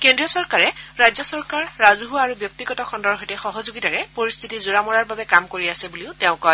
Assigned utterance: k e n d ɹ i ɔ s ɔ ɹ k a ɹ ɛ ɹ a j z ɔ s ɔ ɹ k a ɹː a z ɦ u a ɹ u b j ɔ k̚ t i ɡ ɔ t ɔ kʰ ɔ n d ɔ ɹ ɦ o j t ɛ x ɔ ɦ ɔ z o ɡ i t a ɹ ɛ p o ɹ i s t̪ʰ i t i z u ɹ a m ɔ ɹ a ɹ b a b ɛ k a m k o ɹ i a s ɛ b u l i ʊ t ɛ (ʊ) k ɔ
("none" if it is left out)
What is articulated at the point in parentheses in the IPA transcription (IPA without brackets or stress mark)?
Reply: ʊ̃